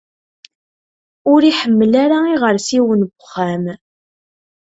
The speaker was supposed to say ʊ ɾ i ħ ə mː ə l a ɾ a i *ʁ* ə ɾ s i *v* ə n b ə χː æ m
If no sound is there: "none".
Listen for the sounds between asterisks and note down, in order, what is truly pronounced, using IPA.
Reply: ʁ, w

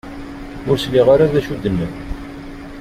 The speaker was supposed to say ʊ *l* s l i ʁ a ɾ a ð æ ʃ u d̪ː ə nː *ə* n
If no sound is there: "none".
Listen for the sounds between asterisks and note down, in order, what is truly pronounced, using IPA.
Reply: ɾ, ə

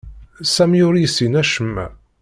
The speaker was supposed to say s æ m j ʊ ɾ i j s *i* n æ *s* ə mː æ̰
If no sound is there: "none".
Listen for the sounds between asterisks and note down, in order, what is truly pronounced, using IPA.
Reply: i, ʃ

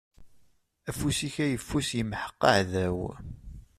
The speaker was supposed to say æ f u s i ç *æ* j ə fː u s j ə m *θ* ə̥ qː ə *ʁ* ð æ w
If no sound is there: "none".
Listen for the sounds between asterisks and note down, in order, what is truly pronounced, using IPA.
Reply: æ, ħ, ʕ

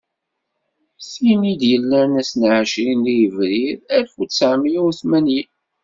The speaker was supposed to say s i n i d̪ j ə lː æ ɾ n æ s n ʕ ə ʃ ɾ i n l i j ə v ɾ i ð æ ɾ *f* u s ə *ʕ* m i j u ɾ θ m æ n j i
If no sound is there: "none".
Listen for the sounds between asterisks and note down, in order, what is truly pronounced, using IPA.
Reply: f, ʕ

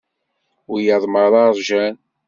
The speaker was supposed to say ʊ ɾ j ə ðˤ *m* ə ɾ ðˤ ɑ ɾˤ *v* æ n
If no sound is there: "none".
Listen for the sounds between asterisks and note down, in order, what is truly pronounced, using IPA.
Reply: m, ʒ

